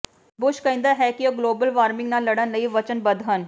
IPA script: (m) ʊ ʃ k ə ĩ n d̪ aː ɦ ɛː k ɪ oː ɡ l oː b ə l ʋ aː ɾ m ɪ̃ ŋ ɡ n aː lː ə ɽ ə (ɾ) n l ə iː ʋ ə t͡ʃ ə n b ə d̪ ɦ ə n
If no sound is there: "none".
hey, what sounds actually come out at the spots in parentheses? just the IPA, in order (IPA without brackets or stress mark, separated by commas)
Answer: b, none